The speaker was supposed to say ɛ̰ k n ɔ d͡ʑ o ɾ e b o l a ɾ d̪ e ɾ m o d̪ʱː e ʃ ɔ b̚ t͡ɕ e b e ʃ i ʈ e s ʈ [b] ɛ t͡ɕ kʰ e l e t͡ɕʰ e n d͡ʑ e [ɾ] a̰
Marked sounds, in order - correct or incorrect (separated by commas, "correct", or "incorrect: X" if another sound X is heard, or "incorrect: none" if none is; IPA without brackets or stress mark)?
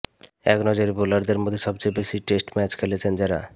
incorrect: m, correct